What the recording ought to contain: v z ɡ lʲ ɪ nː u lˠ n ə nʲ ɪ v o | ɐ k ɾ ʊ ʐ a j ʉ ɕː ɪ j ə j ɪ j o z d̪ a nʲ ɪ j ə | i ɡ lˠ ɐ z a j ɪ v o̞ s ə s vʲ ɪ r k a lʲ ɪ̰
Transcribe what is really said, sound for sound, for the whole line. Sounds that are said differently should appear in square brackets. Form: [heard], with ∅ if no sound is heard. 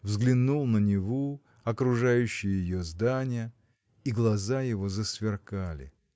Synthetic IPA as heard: v z ɡ lʲ ɪ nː u lˠ n ə nʲ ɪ v o | ɐ k ɾ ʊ ʐ a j ʉ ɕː ɪ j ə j ɪ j o z d̪ a nʲ ɪ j ə | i ɡ lˠ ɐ z a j ɪ v o̞ [z] ə s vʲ ɪ r k a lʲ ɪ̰